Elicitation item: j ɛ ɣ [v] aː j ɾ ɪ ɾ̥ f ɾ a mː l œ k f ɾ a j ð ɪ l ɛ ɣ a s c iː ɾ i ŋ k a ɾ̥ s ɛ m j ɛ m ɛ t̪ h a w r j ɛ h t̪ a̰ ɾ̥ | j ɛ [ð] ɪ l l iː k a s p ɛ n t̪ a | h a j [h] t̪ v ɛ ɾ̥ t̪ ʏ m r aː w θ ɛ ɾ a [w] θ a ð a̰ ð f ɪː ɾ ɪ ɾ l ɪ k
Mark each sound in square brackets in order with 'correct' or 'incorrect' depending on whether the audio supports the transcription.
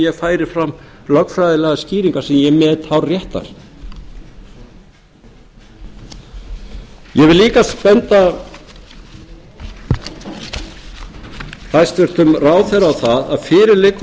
incorrect: f, incorrect: v, incorrect: s, correct

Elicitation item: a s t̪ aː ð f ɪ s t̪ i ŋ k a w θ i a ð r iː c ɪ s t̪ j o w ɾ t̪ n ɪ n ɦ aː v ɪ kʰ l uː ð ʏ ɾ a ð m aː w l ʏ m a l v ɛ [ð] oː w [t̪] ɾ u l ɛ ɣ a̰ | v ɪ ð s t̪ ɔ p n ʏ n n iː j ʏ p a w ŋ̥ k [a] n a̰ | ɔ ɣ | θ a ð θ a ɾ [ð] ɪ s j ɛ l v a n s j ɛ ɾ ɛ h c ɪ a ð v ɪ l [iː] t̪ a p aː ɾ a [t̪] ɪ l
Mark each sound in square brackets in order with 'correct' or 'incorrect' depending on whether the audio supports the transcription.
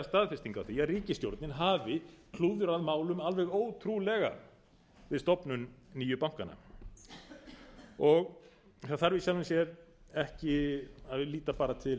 incorrect: ɣ, incorrect: t̪ʰ, correct, incorrect: v, correct, incorrect: t̪ʰ

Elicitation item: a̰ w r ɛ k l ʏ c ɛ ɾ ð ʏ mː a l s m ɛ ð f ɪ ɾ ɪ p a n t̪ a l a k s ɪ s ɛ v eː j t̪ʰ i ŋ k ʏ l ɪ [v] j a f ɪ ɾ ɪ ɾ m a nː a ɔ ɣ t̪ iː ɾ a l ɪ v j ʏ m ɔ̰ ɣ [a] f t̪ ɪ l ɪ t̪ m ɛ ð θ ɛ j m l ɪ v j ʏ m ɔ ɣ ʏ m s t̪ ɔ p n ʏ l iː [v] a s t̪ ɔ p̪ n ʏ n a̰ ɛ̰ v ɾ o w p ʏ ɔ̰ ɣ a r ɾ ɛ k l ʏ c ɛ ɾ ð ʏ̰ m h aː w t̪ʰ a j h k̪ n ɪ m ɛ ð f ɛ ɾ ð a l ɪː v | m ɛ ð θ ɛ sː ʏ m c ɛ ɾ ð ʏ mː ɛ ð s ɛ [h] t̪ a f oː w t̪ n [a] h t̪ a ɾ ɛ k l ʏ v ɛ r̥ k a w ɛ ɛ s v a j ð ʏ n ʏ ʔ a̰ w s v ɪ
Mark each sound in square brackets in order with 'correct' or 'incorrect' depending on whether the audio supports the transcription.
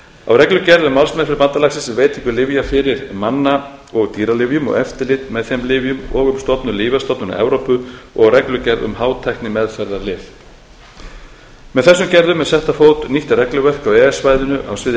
correct, incorrect: ɛ, correct, correct, incorrect: i

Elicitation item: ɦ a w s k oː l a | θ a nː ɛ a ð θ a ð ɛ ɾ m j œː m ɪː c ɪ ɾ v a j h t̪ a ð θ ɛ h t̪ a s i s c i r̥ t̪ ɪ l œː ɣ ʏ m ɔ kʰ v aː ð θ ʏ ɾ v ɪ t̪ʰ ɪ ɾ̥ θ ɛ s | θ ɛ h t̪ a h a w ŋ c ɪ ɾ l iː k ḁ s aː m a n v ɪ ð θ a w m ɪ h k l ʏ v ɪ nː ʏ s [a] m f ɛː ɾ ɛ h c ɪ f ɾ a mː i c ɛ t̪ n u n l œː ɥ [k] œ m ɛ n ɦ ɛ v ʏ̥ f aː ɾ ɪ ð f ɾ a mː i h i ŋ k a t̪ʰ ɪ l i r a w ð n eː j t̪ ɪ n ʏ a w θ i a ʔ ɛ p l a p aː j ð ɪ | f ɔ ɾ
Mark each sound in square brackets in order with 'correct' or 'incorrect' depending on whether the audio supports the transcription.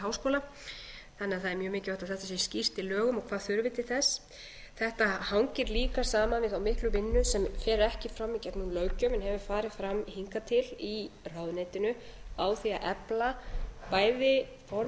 incorrect: ɛ, incorrect: c

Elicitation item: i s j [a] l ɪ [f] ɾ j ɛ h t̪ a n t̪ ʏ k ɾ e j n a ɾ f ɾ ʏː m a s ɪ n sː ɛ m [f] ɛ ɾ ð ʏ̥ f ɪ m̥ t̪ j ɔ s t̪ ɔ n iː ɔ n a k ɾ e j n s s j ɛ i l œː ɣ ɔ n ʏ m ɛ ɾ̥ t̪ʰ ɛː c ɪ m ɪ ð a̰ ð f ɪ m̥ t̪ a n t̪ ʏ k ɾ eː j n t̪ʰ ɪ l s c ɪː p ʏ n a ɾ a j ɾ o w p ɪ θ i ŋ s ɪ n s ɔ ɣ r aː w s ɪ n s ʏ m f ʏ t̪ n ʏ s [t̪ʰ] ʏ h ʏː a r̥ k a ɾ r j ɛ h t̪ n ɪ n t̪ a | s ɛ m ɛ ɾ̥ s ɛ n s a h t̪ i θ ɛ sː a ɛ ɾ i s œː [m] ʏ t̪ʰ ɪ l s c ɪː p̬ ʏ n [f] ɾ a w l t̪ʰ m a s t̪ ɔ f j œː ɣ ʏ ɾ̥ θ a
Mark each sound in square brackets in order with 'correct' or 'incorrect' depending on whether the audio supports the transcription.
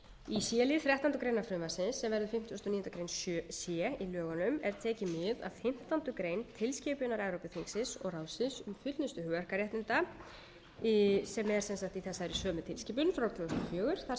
incorrect: ɛ, incorrect: θ, incorrect: v, incorrect: t̪, correct, correct

